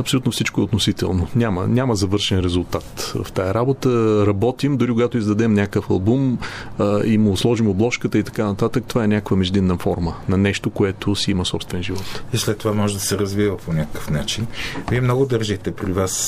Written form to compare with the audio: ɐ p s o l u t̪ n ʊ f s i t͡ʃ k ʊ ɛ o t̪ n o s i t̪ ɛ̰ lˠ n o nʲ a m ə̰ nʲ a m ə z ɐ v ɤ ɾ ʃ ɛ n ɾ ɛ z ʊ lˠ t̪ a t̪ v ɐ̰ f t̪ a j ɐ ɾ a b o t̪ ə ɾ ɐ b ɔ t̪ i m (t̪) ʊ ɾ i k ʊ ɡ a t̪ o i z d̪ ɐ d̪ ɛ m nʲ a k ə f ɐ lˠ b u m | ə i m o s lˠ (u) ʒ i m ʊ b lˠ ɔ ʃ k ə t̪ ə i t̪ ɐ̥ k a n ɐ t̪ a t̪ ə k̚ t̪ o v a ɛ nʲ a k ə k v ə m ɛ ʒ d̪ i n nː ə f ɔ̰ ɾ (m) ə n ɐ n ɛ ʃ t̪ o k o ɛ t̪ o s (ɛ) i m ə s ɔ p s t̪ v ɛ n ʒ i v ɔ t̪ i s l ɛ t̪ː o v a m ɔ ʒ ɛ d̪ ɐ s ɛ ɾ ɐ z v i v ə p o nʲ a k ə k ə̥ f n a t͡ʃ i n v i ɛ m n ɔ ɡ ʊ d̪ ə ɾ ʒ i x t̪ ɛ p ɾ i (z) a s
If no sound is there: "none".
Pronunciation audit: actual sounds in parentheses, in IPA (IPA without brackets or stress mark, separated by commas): d̪, ɔ, m, i, v